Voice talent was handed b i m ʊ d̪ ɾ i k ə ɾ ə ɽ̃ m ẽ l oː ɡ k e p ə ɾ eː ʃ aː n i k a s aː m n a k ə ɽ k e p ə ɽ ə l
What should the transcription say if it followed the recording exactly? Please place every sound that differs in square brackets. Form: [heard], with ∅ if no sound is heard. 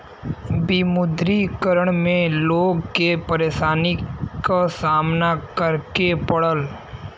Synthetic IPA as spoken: b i m ʊ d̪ ɾ i k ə ɾ ə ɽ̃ m ẽ l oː ɡ k e p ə ɾ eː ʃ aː n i k a s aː m n a k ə [ɾ] k e p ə ɽ ə l